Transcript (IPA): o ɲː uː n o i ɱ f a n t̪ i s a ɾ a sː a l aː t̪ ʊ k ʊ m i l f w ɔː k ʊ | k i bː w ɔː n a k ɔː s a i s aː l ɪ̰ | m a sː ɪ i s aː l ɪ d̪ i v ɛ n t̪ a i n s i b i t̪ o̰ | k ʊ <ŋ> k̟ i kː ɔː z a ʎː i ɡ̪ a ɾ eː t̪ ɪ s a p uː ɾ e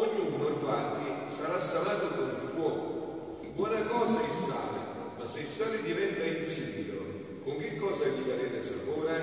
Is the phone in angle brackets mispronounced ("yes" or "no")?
no